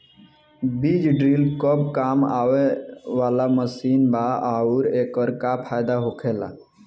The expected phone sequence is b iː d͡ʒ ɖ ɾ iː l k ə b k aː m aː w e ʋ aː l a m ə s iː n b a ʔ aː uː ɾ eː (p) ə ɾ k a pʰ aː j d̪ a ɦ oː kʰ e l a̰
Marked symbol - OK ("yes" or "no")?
no